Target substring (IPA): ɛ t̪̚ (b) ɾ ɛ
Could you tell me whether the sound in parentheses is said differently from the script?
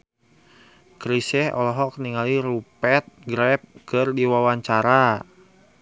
yes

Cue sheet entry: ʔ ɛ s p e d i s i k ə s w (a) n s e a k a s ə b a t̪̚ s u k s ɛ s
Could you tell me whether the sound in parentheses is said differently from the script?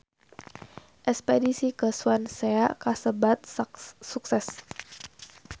no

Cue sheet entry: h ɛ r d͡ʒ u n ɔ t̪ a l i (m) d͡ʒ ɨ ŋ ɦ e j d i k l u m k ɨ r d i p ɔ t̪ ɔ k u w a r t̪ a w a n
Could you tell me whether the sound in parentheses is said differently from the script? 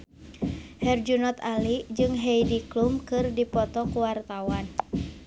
yes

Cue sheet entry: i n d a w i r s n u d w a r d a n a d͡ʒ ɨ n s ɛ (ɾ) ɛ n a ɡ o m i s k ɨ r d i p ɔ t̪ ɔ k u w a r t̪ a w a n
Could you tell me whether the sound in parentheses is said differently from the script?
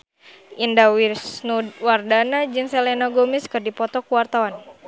yes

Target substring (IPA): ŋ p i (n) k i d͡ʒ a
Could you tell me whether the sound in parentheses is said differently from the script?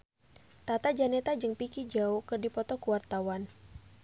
yes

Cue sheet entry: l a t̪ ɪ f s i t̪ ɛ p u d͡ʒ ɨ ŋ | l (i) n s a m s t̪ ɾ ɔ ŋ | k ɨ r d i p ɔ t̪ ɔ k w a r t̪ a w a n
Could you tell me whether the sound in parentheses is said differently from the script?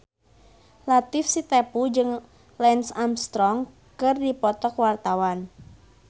yes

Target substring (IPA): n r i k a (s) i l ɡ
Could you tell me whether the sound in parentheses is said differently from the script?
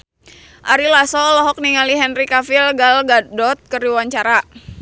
yes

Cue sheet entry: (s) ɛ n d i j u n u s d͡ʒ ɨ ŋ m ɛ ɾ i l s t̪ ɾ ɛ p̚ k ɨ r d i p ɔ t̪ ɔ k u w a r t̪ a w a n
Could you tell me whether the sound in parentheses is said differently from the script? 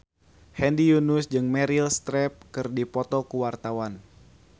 yes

